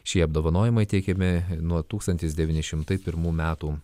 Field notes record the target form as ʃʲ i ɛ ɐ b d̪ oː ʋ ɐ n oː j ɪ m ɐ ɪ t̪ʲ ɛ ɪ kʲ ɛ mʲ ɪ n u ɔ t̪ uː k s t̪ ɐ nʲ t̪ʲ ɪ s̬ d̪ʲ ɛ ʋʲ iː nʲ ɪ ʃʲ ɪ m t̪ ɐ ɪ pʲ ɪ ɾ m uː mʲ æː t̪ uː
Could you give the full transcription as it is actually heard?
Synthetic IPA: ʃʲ i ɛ ɐ b d̪ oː ʋ ɐ n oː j ɪ m ɐ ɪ t̪ʲ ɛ ɪ kʲ ɛ mʲ ɪ n u ɔ t̪ uː k s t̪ ɐ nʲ t̪ʲ ɪ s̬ d̪ʲ ɛ ʋʲ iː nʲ ɪ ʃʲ ɪ m t̪ ɐ ɪ pʲ ɪ ɾ m uː mʲ æː t̪ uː